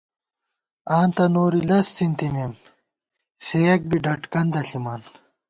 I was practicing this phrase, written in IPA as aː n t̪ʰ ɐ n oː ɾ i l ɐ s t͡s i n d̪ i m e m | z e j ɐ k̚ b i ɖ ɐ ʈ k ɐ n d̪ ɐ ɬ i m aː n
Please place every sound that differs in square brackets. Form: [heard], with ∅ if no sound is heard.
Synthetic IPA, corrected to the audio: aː n [t̪] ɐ n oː ɾ i l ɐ s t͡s i n [t̪] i m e m | [s] e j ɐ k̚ b i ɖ ɐ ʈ k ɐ n d̪ ɐ ɬ i m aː n